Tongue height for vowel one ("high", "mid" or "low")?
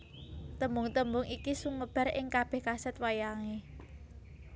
mid